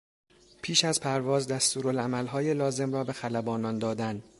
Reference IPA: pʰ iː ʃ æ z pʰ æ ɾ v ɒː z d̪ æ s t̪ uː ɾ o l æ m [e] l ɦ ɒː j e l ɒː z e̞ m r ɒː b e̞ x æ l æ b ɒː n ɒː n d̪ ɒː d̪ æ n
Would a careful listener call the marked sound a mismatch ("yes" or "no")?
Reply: yes